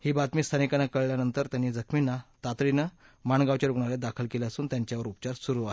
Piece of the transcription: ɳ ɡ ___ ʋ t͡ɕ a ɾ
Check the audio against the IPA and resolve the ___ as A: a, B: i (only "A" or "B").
A